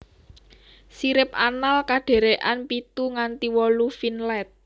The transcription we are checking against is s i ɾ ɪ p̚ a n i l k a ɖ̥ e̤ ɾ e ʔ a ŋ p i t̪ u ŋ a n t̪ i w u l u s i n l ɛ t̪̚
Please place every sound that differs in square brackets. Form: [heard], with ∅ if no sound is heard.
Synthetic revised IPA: s i ɾ ɪ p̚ a n [a] l k a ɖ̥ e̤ ɾ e ʔ a [n] p i t̪ u ŋ a n t̪ i w [ɔ] l u [f] i n l ɛ t̪̚